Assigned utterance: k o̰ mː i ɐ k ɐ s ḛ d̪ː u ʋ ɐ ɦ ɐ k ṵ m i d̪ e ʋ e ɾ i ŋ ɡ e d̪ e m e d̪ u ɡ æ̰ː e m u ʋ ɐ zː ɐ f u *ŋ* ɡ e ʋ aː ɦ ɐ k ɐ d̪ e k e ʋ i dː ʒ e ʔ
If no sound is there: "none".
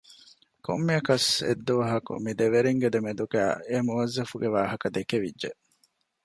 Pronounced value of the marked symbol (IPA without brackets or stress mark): none